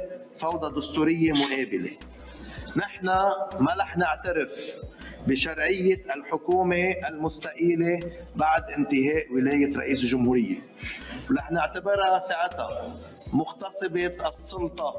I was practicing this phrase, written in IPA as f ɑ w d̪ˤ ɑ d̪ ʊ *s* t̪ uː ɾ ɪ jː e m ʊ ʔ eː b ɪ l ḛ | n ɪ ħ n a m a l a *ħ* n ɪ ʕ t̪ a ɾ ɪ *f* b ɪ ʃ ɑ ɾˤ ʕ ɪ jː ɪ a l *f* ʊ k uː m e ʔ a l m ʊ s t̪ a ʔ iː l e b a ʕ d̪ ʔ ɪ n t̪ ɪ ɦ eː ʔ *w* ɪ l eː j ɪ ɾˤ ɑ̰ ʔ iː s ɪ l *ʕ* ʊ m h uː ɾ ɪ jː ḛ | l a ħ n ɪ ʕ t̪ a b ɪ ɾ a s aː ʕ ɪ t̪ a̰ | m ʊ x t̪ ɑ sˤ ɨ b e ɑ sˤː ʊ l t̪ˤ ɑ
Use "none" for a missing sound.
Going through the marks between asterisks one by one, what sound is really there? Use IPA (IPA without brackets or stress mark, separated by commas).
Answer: s, ħ, f, ħ, w, ʒ